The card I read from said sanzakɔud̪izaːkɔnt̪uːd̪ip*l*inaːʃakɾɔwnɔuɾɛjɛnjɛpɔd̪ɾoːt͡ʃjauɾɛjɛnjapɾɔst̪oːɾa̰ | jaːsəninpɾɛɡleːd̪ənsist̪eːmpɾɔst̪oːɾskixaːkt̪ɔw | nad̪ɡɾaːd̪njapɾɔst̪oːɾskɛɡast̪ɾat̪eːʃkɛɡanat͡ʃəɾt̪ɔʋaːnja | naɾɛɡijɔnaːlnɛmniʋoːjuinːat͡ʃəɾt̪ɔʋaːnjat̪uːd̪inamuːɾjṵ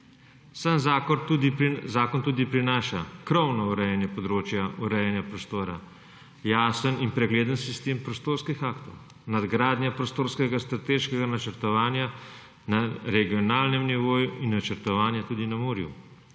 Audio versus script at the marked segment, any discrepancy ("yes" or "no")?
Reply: yes